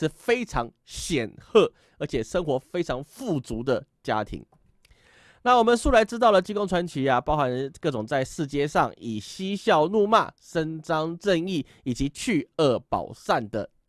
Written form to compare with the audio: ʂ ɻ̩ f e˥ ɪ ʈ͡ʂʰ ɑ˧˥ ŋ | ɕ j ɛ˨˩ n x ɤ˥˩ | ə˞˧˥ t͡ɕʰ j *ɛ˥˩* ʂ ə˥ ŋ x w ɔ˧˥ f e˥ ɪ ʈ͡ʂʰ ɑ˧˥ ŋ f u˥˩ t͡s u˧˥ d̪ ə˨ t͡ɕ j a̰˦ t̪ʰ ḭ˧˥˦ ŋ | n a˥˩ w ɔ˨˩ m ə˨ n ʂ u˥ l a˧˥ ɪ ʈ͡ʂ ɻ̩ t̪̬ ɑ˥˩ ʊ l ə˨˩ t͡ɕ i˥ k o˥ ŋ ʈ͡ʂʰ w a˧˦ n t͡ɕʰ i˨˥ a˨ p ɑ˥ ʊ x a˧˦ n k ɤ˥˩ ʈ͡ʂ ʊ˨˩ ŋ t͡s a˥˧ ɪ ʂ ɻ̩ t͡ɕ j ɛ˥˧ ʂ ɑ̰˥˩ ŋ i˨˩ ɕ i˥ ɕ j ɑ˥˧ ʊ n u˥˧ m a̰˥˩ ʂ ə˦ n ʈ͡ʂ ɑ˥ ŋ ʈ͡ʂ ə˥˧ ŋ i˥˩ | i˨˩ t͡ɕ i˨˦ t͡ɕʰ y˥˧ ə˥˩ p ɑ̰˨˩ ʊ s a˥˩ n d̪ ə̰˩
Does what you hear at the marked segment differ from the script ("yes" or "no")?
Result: yes